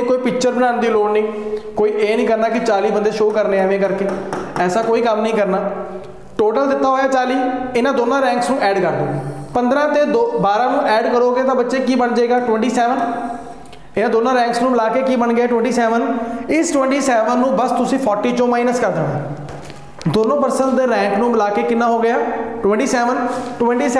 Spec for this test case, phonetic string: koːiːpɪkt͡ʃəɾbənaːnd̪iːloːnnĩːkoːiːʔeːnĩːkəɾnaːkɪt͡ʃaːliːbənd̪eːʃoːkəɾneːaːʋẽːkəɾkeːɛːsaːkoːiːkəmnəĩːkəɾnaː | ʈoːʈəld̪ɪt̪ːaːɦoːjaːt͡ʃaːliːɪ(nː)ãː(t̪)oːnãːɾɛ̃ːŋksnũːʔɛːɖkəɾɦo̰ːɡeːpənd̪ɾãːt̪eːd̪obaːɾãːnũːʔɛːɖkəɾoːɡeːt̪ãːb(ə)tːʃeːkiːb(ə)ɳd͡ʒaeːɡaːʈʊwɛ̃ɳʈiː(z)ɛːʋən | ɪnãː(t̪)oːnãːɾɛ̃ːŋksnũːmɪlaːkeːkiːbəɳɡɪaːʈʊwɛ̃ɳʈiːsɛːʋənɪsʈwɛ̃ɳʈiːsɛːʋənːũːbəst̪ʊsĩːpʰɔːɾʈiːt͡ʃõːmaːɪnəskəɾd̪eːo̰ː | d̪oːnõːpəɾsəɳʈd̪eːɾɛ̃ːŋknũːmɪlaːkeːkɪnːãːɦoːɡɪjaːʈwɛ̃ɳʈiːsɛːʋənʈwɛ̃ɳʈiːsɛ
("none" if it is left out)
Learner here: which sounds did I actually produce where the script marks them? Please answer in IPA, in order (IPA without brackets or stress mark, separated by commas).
n, d̪, ə, ə, s, d̪